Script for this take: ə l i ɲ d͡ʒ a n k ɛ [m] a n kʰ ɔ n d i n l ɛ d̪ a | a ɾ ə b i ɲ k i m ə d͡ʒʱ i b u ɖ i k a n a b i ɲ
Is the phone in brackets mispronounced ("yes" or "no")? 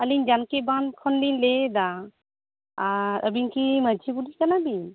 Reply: yes